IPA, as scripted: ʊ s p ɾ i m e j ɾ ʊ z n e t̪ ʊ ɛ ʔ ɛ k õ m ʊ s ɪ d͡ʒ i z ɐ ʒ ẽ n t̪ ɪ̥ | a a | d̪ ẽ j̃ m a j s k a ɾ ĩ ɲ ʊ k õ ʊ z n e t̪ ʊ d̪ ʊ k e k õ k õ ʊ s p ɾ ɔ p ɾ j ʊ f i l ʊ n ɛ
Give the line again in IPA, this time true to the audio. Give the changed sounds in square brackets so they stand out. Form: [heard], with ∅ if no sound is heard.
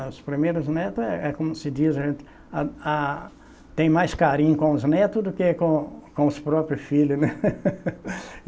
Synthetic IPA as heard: ʊ s p ɾ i m e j ɾ ʊ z n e t̪ ʊ ɛ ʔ ɛ k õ m ʊ s ɪ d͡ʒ i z ɐ ʒ ẽ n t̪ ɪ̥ | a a | [t̪] ẽ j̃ m a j s k a ɾ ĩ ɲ ʊ k õ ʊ z n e t̪ ʊ d̪ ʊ k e k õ k õ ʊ s p ɾ ɔ p ɾ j ʊ f i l ʊ n ɛ